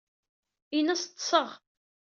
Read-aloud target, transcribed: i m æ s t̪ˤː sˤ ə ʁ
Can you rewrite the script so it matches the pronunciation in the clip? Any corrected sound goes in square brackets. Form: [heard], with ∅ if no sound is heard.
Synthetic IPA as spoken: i [n] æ s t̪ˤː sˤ ə ʁ